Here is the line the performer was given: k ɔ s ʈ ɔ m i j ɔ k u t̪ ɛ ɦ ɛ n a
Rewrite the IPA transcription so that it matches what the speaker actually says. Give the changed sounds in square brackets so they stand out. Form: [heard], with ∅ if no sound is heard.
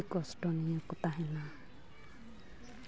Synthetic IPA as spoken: k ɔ s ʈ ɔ [n] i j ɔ k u t̪ [a] ɦ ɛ n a